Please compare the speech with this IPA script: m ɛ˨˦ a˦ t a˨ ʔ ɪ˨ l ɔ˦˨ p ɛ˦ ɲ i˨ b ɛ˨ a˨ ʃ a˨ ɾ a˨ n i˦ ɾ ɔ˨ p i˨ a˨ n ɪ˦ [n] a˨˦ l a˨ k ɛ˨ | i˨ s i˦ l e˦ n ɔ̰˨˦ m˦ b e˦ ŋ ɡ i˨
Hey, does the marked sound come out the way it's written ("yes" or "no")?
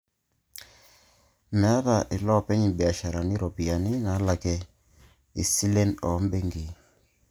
yes